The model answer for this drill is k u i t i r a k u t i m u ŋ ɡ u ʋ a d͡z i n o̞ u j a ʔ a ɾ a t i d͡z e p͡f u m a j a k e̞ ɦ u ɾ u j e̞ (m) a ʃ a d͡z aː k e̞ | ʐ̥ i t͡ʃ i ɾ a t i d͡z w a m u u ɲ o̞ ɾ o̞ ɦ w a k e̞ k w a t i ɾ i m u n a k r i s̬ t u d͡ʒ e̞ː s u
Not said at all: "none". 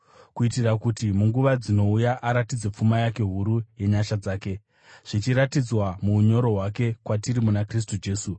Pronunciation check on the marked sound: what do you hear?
ɲ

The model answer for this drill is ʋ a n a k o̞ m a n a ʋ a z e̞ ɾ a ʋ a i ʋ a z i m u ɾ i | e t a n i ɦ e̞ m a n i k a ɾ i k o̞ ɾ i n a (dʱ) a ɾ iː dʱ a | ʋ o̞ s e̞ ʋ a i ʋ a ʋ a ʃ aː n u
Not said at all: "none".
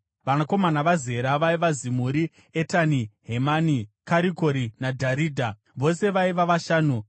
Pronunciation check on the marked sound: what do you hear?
dʱ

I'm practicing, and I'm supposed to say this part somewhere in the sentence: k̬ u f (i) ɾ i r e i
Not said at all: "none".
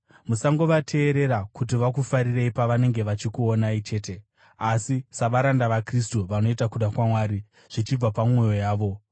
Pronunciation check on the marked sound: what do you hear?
a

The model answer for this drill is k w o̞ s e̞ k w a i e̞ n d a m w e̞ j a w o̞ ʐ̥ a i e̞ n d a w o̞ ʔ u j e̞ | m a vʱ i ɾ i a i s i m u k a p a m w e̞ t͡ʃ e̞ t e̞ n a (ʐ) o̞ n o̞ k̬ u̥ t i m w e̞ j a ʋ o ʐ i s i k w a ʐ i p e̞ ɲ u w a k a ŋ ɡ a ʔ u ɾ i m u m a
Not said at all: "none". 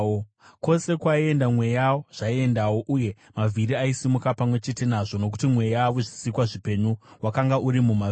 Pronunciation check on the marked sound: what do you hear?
ʐ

